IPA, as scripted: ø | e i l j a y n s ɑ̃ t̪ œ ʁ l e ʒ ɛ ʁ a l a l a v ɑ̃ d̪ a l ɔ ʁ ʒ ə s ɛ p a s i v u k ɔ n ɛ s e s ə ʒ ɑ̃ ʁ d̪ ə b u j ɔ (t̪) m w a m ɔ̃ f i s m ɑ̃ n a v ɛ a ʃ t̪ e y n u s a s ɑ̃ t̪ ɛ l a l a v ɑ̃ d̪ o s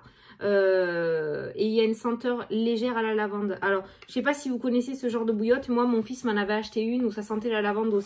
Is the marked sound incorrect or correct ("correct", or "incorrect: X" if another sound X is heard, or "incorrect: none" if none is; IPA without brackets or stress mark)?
correct